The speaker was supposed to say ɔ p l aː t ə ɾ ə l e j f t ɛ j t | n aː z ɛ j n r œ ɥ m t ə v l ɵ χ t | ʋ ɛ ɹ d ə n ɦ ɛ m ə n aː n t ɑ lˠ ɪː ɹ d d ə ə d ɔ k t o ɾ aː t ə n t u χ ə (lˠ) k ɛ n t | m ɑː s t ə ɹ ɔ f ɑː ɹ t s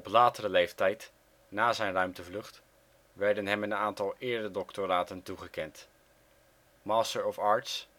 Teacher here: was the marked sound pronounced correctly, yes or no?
no